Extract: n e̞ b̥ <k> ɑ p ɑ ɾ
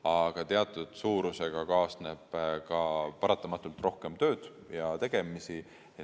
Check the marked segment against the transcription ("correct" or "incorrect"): correct